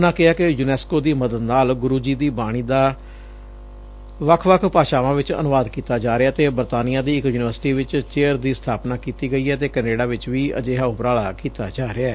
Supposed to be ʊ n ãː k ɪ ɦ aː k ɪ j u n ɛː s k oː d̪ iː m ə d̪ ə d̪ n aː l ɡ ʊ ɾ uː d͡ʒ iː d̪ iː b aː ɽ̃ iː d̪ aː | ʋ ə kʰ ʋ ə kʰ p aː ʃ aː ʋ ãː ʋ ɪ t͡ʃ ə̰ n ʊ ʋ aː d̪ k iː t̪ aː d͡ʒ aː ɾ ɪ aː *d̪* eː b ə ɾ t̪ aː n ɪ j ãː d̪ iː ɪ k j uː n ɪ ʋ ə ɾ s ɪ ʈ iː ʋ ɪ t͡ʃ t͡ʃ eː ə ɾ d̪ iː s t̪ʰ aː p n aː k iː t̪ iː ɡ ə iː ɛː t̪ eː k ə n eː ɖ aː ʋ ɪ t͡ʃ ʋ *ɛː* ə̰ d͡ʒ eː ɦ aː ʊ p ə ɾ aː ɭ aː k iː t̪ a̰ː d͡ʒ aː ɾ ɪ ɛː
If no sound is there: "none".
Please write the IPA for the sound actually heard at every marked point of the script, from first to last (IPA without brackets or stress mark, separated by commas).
t̪, iː